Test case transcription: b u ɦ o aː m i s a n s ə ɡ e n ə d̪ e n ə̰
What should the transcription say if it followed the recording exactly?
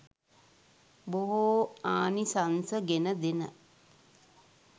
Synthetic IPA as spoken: b o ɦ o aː n i s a n s ə ɡ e n ə d̪ e n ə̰